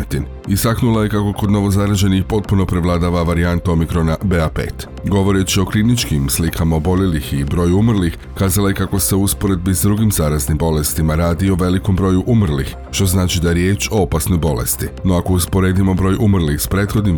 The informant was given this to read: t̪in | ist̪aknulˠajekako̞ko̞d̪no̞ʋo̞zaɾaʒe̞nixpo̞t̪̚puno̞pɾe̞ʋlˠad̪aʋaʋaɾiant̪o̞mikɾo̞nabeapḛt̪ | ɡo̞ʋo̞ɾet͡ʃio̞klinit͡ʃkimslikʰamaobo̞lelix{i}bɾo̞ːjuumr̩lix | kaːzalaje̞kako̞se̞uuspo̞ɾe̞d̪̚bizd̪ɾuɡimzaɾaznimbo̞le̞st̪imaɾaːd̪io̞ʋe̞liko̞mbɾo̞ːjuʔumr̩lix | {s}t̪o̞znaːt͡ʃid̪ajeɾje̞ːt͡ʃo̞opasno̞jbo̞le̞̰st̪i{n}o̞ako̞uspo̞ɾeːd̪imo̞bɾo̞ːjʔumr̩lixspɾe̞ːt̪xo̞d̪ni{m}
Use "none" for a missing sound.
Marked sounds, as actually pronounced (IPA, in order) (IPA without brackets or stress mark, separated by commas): i, ʃ, n, m